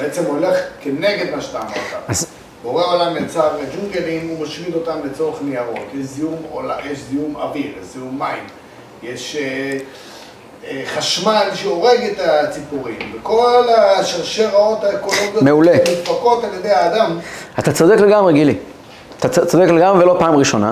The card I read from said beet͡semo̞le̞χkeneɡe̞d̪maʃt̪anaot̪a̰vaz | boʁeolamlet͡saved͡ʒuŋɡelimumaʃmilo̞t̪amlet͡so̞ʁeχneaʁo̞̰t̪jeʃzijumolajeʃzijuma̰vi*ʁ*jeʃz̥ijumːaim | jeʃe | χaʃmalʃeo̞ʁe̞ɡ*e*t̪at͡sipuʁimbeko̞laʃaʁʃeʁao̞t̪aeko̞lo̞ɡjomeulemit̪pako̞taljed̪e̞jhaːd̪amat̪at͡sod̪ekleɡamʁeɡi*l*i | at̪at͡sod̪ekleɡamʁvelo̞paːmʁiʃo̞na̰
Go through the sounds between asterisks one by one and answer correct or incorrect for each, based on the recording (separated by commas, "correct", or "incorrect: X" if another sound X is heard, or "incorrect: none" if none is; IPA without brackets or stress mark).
correct, correct, correct